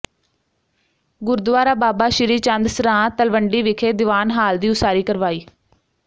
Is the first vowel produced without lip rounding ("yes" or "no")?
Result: no